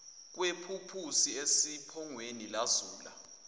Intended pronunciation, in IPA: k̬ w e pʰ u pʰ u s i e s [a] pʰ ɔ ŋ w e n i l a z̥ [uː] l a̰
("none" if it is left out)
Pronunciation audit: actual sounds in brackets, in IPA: i, uː

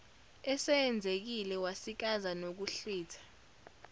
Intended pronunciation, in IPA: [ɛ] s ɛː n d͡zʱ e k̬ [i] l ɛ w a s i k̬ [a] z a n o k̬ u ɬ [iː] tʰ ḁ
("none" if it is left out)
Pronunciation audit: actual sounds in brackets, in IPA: ɛ, i, a, iː

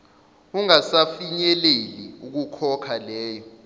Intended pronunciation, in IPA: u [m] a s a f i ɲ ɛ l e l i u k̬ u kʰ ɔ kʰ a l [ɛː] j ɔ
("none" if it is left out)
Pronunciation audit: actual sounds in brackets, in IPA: ŋ, ɛː

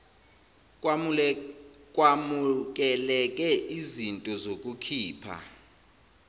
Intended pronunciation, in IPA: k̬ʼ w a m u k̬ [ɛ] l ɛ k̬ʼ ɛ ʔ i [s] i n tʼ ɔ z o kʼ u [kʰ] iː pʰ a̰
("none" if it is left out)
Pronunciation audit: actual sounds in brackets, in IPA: ɛ, z, kʰ

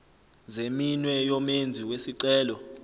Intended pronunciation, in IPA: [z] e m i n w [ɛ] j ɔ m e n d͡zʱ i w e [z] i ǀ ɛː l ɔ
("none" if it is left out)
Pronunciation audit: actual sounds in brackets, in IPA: z, ɛ, s

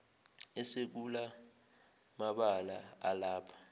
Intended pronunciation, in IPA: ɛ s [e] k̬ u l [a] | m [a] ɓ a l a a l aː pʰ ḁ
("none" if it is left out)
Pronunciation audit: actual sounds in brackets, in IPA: e, a, a

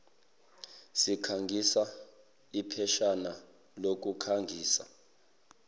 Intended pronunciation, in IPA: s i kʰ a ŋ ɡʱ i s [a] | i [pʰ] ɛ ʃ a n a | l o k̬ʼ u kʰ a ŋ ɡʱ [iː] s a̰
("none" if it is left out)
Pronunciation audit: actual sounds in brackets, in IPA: a, pʰ, iː

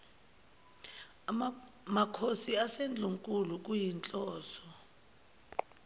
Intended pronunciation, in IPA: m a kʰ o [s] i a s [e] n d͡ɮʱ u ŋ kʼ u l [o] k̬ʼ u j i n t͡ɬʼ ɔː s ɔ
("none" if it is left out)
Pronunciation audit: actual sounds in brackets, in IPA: s, e, u

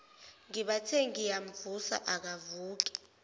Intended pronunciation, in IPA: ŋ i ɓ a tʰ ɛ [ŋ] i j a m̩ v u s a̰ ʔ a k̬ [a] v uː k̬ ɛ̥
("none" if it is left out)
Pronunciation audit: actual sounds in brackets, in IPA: ŋ, a

